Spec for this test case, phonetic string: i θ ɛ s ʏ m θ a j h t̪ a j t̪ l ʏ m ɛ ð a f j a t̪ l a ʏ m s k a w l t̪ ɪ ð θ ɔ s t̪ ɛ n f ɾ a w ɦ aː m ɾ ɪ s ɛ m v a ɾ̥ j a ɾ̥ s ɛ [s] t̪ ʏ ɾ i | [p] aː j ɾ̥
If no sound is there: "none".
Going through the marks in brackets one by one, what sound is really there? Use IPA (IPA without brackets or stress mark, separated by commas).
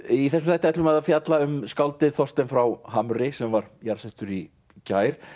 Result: h, c